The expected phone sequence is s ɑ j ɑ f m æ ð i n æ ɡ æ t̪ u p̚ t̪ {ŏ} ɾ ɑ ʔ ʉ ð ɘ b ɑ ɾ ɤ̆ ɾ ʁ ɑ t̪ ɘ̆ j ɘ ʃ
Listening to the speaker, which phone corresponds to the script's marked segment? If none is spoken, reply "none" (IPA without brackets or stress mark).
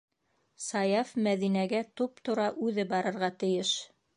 ŏ